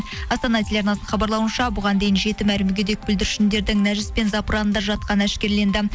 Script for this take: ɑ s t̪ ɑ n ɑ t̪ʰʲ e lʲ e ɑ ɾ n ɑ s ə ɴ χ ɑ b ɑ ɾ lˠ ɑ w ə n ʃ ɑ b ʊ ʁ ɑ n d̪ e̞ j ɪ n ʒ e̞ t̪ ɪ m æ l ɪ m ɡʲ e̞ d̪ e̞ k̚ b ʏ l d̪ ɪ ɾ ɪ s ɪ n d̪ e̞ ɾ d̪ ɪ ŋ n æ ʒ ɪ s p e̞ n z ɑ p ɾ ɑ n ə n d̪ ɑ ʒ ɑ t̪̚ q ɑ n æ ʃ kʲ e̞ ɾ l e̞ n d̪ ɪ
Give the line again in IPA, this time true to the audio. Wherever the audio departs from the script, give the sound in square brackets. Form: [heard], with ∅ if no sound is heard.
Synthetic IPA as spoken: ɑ s t̪ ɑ n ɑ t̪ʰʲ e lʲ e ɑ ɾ n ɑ s ə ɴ χ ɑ b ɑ ɾ lˠ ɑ w ə n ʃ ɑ b ʊ ʁ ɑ n d̪ e̞ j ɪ n ʒ e̞ t̪ ɪ m æ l ɪ m ɡʲ e̞ d̪ e̞ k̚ b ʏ l d̪ ɪ ɾ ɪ [ʃ] ɪ n d̪ e̞ ɾ d̪ ɪ ŋ n æ ʒ ɪ s p e̞ n z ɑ p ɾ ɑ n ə n d̪ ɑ ʒ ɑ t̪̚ q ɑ n æ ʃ kʲ e̞ ɾ l e̞ n d̪ ɪ